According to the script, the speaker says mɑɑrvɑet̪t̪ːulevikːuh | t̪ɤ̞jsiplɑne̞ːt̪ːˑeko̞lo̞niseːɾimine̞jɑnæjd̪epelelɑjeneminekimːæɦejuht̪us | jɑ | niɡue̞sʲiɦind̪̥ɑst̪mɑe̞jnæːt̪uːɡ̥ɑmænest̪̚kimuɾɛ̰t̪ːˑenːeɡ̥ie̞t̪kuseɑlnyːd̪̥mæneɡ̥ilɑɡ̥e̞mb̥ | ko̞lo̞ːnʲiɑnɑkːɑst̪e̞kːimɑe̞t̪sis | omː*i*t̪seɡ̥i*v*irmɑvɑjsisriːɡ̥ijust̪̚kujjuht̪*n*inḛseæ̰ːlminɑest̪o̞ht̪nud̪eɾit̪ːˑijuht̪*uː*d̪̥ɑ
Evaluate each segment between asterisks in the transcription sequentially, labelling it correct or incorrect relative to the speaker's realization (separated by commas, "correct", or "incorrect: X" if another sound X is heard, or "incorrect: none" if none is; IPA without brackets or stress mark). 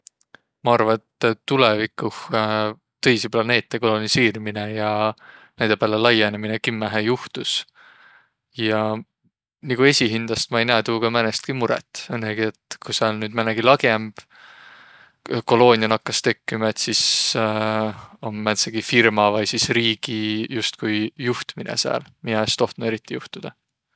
incorrect: æ, incorrect: f, incorrect: m, incorrect: u